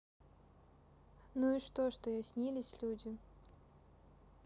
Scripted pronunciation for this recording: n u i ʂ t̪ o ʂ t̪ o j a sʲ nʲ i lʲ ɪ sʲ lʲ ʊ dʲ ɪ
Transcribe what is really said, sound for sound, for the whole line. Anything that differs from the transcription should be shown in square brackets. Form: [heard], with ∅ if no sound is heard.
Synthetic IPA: n u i ʂ t̪ o ʂ t̪ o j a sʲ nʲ i lʲ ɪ sʲ lʲ [u] dʲ ɪ